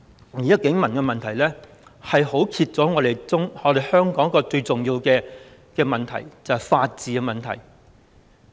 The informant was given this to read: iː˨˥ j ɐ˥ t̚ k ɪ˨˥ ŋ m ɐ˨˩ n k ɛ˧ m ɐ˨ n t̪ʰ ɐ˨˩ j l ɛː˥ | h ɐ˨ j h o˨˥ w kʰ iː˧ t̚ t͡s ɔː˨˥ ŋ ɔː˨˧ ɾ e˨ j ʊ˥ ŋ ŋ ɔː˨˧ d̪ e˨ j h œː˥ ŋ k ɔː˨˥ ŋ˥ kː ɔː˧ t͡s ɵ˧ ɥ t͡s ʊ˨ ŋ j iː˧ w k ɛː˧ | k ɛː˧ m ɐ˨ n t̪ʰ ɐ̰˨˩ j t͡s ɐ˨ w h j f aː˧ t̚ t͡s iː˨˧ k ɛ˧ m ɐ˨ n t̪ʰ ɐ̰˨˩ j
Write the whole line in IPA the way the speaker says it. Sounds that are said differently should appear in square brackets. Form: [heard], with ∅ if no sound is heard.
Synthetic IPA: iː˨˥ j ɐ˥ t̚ k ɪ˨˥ ŋ m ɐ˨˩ n k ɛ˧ m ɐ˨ n t̪ʰ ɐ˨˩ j l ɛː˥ | h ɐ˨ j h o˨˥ w kʰ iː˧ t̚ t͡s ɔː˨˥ ŋ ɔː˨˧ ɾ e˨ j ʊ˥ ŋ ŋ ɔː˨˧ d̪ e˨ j h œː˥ ŋ k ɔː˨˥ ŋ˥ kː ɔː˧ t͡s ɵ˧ ɥ t͡s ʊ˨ ŋ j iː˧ w k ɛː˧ | k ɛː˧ m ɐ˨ n t̪ʰ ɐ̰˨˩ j t͡s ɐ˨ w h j f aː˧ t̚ t͡s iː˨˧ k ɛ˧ m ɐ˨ n t̪ʰ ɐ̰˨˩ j

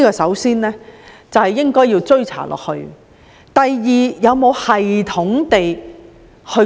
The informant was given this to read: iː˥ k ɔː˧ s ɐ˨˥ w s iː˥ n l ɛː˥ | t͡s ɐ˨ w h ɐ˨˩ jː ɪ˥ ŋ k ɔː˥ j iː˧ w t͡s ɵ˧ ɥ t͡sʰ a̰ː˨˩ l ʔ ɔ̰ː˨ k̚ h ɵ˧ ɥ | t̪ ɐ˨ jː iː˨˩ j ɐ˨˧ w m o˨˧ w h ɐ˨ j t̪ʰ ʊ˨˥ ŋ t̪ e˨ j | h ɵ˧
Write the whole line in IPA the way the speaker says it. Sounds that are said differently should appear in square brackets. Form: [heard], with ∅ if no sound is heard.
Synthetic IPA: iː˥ k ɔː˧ s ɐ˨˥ w s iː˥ n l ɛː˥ | t͡s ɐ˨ w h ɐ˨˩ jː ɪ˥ ŋ k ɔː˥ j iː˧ w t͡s [ɵ˥] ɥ t͡sʰ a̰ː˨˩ l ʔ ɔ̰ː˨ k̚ h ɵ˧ ɥ | t̪ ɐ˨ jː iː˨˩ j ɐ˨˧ w m o˨˧ w h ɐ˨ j t̪ʰ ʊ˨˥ ŋ t̪ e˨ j | h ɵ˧

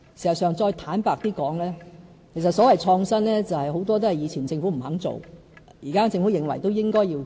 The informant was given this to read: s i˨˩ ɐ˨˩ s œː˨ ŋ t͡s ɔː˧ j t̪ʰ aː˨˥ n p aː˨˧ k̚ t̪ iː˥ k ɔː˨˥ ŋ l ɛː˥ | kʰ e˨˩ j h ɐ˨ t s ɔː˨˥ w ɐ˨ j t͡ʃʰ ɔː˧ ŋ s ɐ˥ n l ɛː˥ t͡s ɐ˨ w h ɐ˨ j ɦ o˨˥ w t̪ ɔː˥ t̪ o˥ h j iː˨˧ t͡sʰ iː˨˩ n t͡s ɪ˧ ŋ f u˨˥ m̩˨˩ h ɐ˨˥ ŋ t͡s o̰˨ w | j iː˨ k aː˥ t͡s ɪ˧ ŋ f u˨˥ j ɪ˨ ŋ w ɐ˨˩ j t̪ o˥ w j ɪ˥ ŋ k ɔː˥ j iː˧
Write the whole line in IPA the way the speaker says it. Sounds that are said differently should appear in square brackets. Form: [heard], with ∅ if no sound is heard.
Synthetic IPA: s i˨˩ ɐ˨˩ s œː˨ ŋ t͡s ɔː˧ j t̪ʰ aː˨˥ n p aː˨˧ k̚ t̪ iː˥ k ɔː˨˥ ŋ l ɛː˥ | kʰ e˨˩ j [s] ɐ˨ t s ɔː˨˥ w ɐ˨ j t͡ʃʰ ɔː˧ ŋ s ɐ˥ n l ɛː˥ t͡s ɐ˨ w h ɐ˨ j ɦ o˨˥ w t̪ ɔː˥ t̪ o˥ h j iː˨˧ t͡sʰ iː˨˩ n t͡s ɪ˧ ŋ f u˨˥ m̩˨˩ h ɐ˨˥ ŋ t͡s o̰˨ w | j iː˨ k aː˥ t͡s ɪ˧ ŋ f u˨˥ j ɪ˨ ŋ w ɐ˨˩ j t̪ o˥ w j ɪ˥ ŋ k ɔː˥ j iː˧

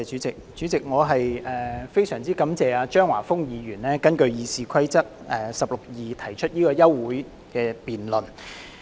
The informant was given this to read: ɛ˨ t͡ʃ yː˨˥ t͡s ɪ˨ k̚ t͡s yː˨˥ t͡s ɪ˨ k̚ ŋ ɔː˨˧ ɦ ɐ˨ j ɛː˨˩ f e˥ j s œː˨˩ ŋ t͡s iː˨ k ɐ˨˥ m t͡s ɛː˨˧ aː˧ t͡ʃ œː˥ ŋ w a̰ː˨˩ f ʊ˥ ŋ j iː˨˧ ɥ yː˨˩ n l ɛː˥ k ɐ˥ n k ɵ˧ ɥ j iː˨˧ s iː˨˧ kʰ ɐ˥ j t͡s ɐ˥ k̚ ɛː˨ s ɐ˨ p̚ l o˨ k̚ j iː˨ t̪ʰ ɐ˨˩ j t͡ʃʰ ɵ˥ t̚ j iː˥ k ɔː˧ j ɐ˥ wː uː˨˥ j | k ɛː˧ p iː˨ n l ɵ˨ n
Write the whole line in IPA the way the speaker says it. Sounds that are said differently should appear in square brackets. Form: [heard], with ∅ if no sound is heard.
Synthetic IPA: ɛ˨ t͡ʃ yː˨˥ t͡s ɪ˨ k̚ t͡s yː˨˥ t͡s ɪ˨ k̚ ŋ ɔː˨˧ ɦ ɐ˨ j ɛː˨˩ f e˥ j s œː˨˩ ŋ t͡s [iː˥] k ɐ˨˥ m t͡s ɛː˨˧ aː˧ t͡ʃ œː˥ ŋ w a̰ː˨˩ f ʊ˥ ŋ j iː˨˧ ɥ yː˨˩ n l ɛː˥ k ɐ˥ n k ɵ˧ ɥ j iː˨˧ s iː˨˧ kʰ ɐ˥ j t͡s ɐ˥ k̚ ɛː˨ s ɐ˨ p̚ l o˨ k̚ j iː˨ t̪ʰ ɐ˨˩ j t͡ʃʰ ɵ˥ t̚ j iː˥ k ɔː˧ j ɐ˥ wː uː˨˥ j | k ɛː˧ p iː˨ n l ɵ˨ n

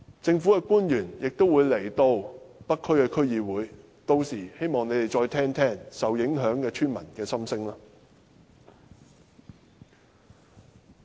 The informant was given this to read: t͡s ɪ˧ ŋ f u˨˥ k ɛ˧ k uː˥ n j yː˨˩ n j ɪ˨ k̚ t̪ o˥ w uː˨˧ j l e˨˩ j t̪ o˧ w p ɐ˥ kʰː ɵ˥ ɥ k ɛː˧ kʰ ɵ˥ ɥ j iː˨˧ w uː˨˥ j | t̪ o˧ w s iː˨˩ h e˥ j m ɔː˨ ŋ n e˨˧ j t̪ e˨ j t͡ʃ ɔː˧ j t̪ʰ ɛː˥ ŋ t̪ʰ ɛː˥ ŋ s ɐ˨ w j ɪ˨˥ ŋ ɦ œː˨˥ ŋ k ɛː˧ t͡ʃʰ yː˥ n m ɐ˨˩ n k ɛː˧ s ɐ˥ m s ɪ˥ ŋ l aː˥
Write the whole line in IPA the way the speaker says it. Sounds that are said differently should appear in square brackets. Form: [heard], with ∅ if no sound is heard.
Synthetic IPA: t͡s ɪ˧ ŋ f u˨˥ k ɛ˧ k uː˥ n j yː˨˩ n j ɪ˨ k̚ t̪ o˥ w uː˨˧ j l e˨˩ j t̪ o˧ w p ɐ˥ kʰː ɵ˥ ɥ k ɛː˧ kʰ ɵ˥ ɥ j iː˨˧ w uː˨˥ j | t̪ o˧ w s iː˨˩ h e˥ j m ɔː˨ ŋ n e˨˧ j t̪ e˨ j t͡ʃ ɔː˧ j t̪ʰ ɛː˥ ŋ t̪ʰ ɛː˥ ŋ s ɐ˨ w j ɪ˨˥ ŋ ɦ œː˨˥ ŋ k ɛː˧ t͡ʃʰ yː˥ n m ɐ˨˩ n k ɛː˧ s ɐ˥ m s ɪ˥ ŋ l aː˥

